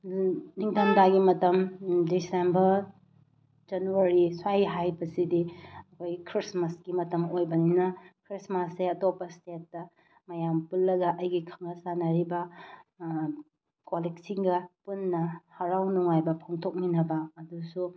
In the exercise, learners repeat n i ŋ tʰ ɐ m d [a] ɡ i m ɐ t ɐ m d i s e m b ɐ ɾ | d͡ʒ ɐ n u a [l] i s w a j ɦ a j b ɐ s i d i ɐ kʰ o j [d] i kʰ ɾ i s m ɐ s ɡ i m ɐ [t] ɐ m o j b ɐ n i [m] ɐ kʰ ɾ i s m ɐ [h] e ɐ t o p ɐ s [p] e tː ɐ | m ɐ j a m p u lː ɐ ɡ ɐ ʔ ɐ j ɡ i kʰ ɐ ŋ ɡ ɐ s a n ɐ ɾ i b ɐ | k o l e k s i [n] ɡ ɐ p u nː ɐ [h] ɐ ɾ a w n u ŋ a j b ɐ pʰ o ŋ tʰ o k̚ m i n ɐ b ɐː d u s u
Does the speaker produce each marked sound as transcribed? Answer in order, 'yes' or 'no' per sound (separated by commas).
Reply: yes, no, no, yes, no, no, no, no, yes